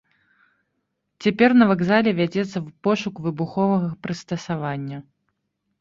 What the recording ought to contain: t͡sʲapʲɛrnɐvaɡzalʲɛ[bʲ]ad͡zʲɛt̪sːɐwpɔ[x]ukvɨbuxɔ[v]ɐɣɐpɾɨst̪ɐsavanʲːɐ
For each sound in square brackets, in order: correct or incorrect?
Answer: incorrect, incorrect, correct

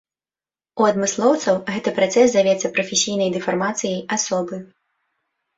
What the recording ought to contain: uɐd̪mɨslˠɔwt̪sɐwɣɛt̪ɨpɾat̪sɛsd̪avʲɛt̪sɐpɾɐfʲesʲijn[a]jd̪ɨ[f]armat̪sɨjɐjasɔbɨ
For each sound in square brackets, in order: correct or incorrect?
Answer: incorrect, correct

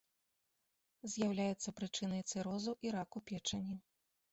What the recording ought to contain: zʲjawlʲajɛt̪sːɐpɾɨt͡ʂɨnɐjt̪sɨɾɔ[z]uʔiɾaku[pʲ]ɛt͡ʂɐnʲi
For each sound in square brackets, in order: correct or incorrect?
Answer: correct, correct

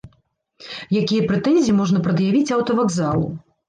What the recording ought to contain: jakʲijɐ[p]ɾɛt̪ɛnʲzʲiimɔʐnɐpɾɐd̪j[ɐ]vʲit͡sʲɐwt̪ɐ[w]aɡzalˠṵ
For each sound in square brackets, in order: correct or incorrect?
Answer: correct, incorrect, incorrect

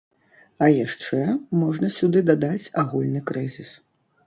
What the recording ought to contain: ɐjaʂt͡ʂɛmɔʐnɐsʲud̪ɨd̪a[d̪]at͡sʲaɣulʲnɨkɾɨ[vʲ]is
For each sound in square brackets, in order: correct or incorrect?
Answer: correct, incorrect

